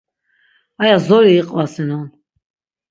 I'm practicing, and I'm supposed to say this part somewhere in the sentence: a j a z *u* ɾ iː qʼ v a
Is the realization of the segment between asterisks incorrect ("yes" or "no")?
yes